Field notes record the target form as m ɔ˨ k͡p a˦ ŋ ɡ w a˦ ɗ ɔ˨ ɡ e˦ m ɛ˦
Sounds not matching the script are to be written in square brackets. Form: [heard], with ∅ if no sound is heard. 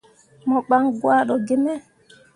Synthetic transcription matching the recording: m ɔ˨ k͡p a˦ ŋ ɡ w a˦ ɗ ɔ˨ ɡ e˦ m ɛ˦